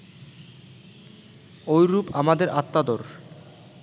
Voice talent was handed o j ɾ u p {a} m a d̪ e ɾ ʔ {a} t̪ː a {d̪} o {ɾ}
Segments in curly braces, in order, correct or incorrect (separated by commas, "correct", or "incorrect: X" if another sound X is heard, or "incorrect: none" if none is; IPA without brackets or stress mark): correct, correct, correct, correct